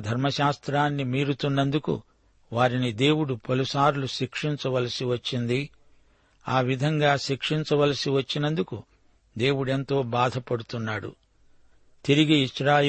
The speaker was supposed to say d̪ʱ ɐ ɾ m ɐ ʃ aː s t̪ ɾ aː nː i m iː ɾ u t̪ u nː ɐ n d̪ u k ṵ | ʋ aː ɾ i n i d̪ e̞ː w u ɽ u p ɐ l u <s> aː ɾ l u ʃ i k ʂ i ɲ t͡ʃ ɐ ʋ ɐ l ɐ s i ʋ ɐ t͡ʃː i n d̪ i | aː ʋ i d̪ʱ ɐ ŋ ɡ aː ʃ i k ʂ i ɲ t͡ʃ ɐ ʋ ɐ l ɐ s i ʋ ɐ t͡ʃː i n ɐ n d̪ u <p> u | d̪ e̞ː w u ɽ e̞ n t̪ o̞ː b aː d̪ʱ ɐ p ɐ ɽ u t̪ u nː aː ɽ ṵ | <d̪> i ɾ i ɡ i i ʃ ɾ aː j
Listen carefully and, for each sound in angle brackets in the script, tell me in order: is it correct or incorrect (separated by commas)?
correct, incorrect, incorrect